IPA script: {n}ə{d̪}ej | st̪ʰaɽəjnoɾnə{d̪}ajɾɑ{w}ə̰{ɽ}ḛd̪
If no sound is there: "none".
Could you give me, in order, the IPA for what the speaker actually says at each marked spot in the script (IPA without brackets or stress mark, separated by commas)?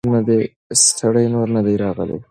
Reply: n, d̪, d̪, ɣ, l